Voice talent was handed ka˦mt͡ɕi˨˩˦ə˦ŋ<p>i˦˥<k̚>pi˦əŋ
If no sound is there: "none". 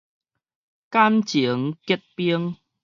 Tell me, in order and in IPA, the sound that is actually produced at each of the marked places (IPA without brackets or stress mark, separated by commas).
k, t̚